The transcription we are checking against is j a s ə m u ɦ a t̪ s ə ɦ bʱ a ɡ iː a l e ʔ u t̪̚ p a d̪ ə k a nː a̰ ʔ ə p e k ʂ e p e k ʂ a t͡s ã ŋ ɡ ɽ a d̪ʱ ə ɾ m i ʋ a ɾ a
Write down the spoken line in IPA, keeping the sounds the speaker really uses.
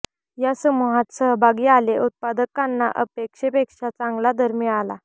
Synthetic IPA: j a s ə m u ɦ a t̪ s ə ɦ bʱ a ɡ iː a l e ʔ u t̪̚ p a d̪ ə k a nː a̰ ʔ ə p e k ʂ e p e k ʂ a t͡s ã ŋ ɡ l a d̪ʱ ə ɾ m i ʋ a l a